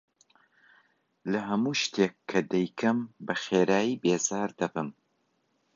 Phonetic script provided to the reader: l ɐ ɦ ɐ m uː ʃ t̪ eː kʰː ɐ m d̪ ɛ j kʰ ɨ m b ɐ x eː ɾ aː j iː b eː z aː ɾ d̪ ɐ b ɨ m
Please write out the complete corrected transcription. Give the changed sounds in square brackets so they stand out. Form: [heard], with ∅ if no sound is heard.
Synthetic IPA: l ɐ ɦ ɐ m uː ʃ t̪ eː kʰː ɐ [∅] d̪ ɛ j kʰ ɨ m b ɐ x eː ɾ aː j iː b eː z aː ɾ d̪ ɐ b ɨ m